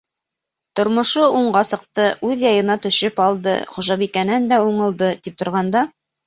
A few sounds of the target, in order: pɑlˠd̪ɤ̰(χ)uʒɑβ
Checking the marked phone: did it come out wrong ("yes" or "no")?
no